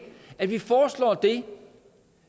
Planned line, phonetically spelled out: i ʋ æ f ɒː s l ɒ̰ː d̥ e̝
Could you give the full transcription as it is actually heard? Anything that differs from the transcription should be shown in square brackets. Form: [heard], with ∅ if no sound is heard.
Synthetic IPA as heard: [æ] ʋ [i] f ɒː s l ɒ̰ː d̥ e̝